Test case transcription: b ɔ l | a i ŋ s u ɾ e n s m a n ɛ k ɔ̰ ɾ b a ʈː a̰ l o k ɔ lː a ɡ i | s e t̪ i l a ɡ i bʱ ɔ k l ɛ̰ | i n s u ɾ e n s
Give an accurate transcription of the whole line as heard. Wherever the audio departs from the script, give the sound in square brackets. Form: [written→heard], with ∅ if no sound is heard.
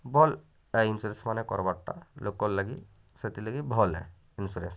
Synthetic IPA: b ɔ l | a i [ŋ→n] s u ɾ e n s m a n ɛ k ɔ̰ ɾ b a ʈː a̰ l o k ɔ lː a ɡ i | s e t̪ i l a ɡ i bʱ ɔ [k→∅] l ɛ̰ | i n s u ɾ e n s